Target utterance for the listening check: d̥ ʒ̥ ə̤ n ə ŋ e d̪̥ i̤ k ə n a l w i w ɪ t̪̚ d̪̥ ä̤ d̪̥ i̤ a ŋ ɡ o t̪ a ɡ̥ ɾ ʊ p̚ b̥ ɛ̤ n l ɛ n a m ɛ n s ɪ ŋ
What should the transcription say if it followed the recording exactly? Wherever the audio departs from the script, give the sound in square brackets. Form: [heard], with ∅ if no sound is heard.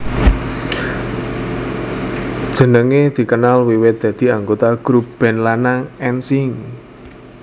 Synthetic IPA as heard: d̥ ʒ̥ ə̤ n ə ŋ e d̪̥ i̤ k ə n a l w i w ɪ t̪̚ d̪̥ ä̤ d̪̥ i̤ a ŋ ɡ o t̪ a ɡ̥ ɾ [u] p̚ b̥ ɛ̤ n l [a] n a [ŋ] ɛ n s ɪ ŋ